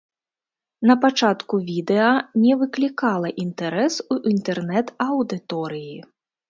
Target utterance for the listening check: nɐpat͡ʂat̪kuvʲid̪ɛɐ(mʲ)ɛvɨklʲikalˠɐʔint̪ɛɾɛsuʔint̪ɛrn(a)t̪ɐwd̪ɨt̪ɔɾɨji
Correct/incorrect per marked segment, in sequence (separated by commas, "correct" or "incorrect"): incorrect, incorrect